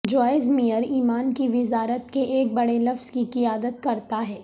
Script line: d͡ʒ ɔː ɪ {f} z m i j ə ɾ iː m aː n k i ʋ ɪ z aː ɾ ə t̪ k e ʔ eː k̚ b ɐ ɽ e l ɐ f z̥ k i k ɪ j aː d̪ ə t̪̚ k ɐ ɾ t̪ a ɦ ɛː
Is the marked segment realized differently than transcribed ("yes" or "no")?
yes